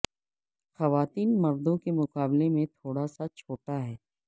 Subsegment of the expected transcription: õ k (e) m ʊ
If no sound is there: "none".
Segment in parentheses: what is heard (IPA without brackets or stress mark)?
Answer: e